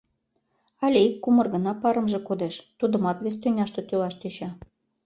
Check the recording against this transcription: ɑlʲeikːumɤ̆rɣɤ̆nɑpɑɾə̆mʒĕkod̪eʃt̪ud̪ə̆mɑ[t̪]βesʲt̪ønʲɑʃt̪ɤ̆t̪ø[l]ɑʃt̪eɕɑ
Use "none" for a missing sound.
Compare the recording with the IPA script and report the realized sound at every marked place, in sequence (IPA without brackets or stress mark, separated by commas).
t̪, l